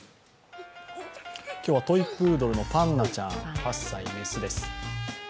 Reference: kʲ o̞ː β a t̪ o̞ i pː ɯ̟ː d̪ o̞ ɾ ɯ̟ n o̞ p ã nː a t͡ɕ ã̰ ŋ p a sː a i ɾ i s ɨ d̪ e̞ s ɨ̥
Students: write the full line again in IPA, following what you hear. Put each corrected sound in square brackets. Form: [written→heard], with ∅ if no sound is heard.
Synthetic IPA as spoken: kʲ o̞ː β a t̪ o̞ i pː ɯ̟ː d̪ o̞ ɾ ɯ̟ n o̞ p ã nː a t͡ɕ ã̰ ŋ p a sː a i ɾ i s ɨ d̪ e̞ s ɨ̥